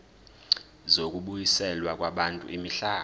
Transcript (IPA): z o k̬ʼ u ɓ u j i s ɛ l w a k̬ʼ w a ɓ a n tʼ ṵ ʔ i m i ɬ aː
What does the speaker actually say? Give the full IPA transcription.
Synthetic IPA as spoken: z o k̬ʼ u ɓ u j i s ɛ l w a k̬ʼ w a ɓ a n tʼ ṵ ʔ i m i ɬ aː